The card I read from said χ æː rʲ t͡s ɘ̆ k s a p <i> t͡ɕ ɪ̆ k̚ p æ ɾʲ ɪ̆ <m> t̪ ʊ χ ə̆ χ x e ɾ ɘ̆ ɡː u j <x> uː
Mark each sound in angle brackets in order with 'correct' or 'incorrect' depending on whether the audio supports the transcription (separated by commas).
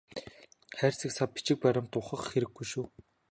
correct, correct, incorrect